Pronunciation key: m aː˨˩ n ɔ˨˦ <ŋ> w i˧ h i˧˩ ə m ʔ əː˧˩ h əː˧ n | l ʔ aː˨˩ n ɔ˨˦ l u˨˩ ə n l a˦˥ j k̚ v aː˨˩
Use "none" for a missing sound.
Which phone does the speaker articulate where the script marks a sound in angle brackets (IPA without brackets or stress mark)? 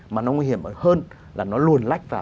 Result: ŋ